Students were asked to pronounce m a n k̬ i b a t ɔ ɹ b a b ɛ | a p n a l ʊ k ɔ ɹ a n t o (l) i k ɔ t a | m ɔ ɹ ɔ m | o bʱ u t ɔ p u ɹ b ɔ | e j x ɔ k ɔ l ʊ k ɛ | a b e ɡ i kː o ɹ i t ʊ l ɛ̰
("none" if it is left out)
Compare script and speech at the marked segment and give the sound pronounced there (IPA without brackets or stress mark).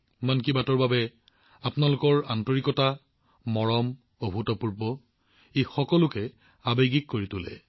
ɹ